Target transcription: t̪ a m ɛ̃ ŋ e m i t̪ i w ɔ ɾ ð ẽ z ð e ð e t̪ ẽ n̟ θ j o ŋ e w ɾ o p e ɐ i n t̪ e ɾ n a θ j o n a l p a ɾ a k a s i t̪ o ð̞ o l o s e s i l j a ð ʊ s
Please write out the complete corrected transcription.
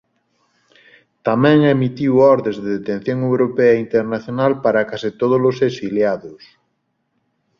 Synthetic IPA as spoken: t̪ a m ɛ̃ ŋ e m i t̪ i w ɔ ɾ ð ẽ z ð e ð e t̪ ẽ n̟ θ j o ŋ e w ɾ o p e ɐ i n t̪ e ɾ n a θ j o n a l p a ɾ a k a s i t̪ o ð̞ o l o s e s i l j a ð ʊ s